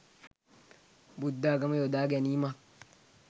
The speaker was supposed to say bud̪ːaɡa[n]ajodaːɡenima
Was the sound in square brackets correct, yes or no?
no